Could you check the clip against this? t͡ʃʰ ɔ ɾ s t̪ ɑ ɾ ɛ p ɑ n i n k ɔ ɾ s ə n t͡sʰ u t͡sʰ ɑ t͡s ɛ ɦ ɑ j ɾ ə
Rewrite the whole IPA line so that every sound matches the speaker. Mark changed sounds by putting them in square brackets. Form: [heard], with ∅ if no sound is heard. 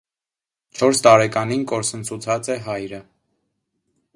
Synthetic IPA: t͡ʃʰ ɔ ɾ s t̪ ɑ ɾ ɛ [k] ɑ n i n k ɔ ɾ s ə n t͡sʰ u t͡sʰ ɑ t͡s ɛ ɦ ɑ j ɾ ə

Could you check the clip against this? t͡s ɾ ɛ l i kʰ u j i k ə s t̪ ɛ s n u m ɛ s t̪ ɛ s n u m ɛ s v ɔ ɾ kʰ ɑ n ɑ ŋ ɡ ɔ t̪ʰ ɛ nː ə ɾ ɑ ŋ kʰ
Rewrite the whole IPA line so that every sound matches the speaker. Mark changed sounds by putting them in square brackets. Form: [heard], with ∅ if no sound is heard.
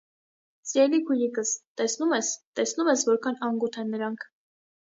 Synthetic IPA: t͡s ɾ ɛ l i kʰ u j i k ə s t̪ ɛ s n u m ɛ s t̪ ɛ s n u m ɛ s v ɔ ɾ kʰ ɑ n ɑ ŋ ɡ [u] t̪ʰ ɛ nː ə ɾ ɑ ŋ kʰ

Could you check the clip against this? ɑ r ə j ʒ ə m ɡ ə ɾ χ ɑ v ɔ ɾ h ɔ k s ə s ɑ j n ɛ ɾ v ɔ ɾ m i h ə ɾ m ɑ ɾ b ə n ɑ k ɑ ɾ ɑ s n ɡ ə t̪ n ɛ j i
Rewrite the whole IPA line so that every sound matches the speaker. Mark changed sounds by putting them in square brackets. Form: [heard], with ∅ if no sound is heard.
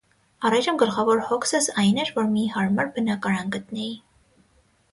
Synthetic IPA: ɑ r [ɑ] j ʒ ə m ɡ ə [l] χ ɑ v ɔ ɾ h ɔ k s ə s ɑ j n ɛ ɾ v ɔ ɾ m i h [ɑ] ɾ m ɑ ɾ b ə n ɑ k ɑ ɾ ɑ [∅] n ɡ ə t̪ n ɛ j i

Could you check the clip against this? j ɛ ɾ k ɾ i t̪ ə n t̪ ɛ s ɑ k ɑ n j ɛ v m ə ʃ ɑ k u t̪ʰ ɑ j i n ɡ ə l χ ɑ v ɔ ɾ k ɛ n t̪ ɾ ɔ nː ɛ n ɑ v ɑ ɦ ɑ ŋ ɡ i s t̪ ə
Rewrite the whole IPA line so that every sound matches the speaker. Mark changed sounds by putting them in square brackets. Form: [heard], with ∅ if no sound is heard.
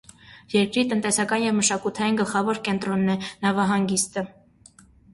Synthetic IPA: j ɛ ɾ k ɾ i t̪ ə n t̪ ɛ s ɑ k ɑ n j ɛ v m ə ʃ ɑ k u t̪ʰ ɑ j i n ɡ ə l χ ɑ v ɔ ɾ k ɛ n t̪ ɾ ɔ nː ɛ n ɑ v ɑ ɦ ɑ ŋ ɡ i s t̪ ə

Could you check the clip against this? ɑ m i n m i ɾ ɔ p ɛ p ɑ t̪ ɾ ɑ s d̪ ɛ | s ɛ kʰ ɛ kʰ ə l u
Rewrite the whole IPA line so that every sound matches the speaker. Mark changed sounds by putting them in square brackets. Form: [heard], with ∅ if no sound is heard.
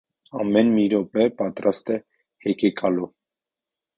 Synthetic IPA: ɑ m [ɛ] n m i ɾ ɔ p ɛ p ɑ t̪ ɾ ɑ s [t̪] ɛ | [h] ɛ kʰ ɛ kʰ [ɑ] l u

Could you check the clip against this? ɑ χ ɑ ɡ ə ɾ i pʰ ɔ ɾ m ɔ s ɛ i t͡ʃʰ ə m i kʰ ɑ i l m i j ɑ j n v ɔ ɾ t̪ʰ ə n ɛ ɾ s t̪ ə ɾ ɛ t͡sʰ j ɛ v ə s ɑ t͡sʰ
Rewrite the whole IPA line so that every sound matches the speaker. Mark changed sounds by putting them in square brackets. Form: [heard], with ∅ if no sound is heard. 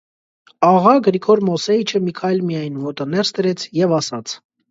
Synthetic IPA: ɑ [ʁ] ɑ ɡ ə ɾ i [kʰ] ɔ ɾ m ɔ s ɛ i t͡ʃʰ ə m i kʰ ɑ [j] l m i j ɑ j n v ɔ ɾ [t̪] ə n ɛ ɾ s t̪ ə ɾ ɛ t͡sʰ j ɛ v [ɑ] s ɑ t͡sʰ

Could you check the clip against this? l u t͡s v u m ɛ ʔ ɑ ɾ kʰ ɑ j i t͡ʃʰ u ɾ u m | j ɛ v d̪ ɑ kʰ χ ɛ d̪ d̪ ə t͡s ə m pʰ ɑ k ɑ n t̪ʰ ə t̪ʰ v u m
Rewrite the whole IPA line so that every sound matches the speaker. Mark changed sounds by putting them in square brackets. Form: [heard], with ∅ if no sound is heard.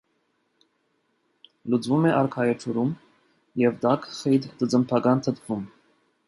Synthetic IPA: l u t͡s v u m ɛ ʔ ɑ ɾ kʰ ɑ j [ɛ] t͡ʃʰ u ɾ u m | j ɛ v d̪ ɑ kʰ χ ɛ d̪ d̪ ə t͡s ə m pʰ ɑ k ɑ n t̪ʰ ə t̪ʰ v u m

